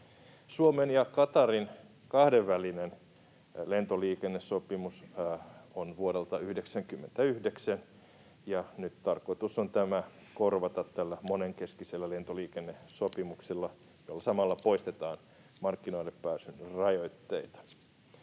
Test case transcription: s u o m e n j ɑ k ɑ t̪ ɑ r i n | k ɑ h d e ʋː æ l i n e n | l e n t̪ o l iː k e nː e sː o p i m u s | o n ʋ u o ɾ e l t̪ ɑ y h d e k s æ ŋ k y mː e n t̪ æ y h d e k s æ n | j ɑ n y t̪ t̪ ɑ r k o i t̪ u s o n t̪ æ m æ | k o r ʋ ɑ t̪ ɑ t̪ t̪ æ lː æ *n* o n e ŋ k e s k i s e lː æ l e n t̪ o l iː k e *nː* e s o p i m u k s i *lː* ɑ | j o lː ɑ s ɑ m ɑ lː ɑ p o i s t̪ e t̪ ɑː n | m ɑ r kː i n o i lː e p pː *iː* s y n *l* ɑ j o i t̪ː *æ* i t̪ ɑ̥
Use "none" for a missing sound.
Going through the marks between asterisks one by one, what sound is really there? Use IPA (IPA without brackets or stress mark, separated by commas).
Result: m, nː, lː, æː, r, e